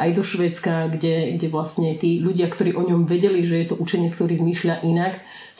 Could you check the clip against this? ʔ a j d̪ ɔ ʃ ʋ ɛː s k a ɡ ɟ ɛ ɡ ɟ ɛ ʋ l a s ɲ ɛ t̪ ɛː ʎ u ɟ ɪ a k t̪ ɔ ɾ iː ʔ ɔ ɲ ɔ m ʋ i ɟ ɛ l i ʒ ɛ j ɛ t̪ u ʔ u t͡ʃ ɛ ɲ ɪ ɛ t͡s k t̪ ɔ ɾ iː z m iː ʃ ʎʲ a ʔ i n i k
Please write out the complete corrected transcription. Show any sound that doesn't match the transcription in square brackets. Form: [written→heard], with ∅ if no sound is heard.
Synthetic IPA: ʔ a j d̪ ɔ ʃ ʋ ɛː [s→t͡s] k a ɡ ɟ ɛ ɡ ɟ ɛ ʋ l a s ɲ ɛ t̪ [ɛː→iː] ʎ u ɟ ɪ a k t̪ ɔ ɾ iː ʔ ɔ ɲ ɔ m ʋ [i→ɛ] ɟ ɛ l i ʒ ɛ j ɛ t̪ [u→ɔ] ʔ u t͡ʃ ɛ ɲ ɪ ɛ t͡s k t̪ ɔ ɾ iː z m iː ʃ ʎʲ a ʔ i n [i→a] k